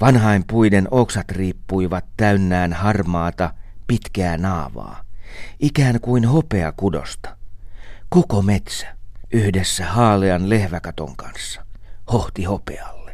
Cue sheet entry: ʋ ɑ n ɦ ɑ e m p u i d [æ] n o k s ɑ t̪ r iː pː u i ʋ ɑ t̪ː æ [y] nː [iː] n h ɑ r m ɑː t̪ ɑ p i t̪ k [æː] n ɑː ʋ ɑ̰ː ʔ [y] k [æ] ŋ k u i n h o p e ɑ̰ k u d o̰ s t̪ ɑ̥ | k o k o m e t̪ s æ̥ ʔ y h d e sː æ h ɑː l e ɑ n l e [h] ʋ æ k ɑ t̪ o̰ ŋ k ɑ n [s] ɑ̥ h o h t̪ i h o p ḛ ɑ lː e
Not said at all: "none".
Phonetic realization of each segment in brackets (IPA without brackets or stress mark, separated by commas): e, y, æː, æː, i, æː, h, sː